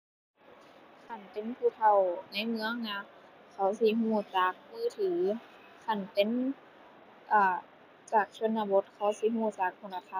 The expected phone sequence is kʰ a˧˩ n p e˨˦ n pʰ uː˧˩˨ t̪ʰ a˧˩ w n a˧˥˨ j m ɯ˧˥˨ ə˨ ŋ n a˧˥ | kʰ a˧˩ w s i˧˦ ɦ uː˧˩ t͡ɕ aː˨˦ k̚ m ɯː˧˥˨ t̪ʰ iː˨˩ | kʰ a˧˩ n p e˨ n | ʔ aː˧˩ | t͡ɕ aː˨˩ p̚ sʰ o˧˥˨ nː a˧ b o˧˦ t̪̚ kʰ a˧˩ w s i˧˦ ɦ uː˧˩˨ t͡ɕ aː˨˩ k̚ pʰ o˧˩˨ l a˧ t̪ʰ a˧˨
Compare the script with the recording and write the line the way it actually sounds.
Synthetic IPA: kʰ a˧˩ n p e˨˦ n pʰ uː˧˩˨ t̪ʰ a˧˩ w n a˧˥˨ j m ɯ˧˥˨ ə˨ ŋ n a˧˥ | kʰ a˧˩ w s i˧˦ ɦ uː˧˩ t͡ɕ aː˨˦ k̚ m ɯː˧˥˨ t̪ʰ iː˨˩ | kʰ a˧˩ n p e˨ n | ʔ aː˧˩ | t͡ɕ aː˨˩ k̚ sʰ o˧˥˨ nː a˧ b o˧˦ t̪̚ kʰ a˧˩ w s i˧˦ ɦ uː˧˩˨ t͡ɕ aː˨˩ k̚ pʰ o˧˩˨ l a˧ t̪ʰ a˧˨

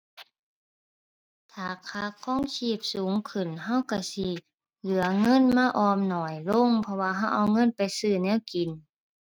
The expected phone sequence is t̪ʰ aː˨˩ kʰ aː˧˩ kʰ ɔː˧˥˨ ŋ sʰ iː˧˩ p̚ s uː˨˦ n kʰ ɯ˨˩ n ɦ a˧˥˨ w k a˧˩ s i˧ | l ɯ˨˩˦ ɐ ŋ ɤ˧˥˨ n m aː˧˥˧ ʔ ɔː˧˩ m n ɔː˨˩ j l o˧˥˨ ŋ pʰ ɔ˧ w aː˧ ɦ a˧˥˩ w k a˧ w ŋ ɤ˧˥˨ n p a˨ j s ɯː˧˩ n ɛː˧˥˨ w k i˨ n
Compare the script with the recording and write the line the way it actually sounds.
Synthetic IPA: t̪ʰ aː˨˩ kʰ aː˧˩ kʰ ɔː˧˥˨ ŋ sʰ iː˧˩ p̚ s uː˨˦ ŋ kʰ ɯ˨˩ n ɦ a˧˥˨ w k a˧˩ s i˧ | l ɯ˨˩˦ ɐ ŋ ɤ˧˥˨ n m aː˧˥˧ ʔ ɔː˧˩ m n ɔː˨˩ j l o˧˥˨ ŋ pʰ ɔ˧ w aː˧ ɦ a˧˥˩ w ʔ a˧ w ŋ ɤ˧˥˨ n p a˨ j s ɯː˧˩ n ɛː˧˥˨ w k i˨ n

